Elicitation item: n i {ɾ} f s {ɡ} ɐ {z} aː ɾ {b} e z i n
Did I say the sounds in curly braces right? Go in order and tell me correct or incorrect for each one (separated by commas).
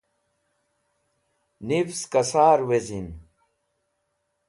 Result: incorrect, incorrect, incorrect, incorrect